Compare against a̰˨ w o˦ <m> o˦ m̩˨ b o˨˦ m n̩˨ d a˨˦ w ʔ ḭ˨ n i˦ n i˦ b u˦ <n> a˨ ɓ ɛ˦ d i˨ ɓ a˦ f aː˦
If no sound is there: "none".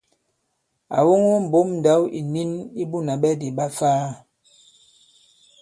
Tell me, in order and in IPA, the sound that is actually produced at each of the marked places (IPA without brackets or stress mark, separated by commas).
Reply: ŋ, n